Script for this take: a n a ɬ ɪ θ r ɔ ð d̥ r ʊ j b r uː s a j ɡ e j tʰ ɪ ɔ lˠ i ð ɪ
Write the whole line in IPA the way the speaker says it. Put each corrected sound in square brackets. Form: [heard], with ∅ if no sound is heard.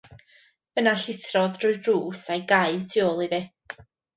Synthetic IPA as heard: [ə] n a ɬ ɪ θ r ɔ ð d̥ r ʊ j [d] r uː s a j ɡ [a] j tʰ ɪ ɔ lˠ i ð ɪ